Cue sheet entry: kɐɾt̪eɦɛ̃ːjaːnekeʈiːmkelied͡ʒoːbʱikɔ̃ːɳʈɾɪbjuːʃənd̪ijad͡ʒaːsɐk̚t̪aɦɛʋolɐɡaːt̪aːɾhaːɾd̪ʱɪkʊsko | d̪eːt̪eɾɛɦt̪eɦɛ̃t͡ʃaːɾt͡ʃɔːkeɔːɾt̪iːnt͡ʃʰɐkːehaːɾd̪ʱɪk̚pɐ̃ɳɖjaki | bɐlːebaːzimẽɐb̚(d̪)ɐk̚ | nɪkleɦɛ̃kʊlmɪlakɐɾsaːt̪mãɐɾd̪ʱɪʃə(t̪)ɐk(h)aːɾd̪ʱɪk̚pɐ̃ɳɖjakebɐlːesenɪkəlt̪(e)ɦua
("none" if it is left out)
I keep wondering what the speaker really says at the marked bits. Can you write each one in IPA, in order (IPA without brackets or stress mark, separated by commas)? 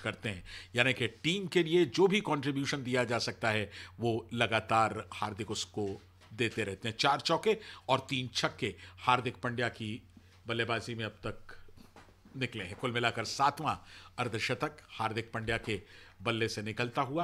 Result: t̪, t̪, h, a